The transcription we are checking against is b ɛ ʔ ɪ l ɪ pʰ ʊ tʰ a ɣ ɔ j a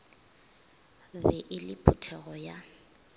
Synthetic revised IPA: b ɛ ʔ ɪ l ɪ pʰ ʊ tʰ ɛ ɣ ɔ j a